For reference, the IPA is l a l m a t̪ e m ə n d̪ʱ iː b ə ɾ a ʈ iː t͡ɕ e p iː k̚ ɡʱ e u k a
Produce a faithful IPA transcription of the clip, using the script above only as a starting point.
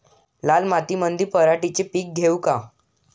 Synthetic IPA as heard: l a l m a t̪ i m ə n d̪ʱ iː p ə ɾ a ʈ i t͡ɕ e p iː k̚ ɡʱ e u k a